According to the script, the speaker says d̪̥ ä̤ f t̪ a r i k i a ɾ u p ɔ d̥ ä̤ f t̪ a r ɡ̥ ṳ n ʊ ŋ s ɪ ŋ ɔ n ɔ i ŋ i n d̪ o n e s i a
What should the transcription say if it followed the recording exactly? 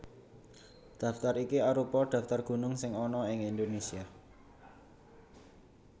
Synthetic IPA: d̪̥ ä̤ f t̪ a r i k i a ɾ u p ɔ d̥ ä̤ f t̪ a r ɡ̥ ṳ n ʊ ŋ s ɪ ŋ ɔ n ɔ ɪ ŋ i n d̪ o n e s i a